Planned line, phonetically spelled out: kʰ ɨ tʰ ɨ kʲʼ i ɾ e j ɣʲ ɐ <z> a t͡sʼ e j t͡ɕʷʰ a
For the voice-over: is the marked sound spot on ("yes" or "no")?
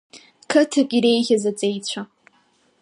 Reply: yes